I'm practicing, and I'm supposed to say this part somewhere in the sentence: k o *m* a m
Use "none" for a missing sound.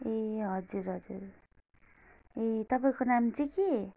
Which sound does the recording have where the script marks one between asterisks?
n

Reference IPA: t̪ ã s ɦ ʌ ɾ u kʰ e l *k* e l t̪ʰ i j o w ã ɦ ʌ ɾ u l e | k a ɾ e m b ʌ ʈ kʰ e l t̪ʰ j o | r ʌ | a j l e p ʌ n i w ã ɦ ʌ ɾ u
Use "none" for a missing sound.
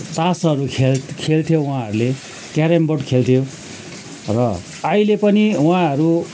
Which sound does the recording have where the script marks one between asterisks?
kʰ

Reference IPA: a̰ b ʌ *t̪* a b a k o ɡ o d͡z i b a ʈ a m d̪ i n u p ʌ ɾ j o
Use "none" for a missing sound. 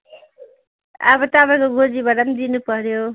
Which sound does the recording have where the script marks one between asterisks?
t̪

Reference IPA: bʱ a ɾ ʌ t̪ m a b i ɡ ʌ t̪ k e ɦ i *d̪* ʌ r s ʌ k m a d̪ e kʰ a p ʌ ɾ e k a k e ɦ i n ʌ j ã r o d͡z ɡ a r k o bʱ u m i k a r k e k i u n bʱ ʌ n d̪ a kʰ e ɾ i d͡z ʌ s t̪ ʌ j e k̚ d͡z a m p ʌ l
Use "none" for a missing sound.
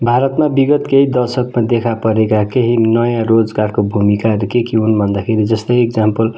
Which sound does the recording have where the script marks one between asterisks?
d̪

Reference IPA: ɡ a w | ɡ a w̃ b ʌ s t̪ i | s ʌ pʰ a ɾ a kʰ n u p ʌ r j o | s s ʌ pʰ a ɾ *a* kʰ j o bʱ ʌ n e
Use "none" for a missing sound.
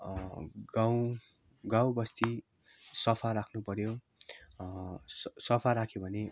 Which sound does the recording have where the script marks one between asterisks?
a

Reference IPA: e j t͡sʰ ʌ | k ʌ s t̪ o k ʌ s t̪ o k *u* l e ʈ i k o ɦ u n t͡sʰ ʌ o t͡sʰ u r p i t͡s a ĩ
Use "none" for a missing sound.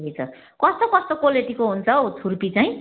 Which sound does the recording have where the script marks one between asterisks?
o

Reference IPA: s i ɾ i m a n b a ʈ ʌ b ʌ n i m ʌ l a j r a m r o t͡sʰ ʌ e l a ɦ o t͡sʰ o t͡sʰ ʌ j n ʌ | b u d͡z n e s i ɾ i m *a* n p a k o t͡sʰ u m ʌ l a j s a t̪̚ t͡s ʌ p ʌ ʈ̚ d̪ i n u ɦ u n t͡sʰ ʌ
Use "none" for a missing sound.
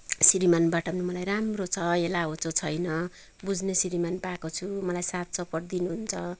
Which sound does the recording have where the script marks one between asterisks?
a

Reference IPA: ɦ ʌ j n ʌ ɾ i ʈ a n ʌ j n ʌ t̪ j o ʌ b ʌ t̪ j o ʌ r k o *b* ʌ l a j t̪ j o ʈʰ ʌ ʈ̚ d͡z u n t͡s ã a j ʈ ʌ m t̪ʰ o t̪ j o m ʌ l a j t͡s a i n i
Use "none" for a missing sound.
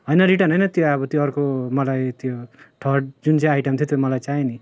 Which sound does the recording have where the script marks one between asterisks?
m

